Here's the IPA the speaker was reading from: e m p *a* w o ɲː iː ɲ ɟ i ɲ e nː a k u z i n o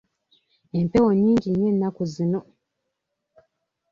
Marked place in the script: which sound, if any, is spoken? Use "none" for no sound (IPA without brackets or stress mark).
e